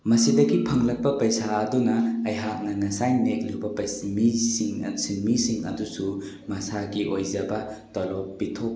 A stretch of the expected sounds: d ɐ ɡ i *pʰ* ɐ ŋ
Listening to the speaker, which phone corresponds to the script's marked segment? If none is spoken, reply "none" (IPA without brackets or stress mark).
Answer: pʰ